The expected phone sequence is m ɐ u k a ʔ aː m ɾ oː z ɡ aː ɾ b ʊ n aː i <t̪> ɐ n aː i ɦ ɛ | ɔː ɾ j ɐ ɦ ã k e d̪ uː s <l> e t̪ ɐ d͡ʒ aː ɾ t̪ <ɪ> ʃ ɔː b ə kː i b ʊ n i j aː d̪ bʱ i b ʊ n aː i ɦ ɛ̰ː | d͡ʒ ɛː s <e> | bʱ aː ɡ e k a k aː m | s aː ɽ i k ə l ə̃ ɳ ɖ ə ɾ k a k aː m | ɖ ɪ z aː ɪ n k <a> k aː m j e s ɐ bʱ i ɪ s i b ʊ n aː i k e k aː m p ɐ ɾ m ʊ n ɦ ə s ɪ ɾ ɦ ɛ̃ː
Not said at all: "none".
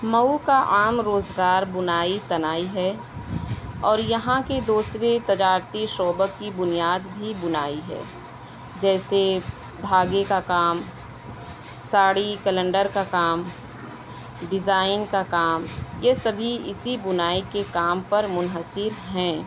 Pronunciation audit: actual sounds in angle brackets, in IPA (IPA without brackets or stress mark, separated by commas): t̪, ɾ, i, e, a